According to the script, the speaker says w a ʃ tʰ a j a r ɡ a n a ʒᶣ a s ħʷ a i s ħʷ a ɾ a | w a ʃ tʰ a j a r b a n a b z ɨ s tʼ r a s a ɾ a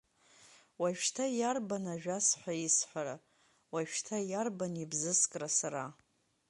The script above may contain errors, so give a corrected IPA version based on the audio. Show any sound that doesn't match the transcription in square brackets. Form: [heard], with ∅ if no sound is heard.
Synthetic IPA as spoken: w a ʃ tʰ a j a r [b] a n a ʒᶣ a s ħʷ a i s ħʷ a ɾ a | w a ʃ tʰ a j a r b a n [i] b z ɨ s [kʼ] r a s a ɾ a